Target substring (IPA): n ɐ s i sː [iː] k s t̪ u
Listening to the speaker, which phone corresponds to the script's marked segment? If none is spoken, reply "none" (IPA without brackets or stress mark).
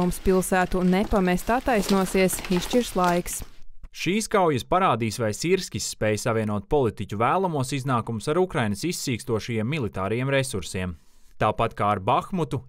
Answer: iː